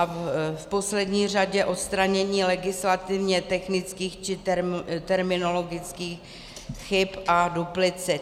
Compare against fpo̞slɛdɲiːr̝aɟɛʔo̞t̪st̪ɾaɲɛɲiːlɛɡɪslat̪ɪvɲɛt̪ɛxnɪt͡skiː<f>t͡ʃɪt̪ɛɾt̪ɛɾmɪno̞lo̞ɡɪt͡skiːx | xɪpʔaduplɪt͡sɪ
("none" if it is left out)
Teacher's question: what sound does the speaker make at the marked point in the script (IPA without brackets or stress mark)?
x